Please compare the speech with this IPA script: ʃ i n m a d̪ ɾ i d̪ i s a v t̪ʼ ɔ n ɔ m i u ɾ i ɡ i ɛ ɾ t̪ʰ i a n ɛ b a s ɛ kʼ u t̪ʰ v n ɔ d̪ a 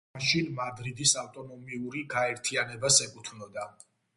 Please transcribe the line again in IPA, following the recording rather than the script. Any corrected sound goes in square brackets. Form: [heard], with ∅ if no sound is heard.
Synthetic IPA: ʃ i n m a d̪ ɾ i d̪ i s a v t̪ʼ ɔ n ɔ m i u ɾ i ɡ [a] ɛ ɾ t̪ʰ i a n ɛ b a s ɛ kʼ u t̪ʰ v n ɔ d̪ a